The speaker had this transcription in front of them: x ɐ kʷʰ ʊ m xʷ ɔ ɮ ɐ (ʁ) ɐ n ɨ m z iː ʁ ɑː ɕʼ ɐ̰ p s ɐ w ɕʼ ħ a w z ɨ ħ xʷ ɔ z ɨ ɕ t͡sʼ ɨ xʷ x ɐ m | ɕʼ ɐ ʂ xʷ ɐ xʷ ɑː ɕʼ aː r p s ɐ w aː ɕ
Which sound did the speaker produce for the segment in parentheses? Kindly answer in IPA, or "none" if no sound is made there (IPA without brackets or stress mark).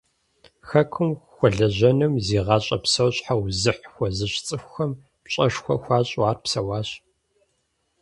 ʑ